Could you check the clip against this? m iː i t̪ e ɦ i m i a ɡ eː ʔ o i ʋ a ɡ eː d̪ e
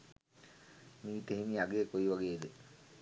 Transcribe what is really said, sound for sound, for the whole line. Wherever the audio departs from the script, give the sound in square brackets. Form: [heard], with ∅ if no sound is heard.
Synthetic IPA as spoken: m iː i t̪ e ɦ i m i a ɡ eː [k] o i ʋ a ɡ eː d̪ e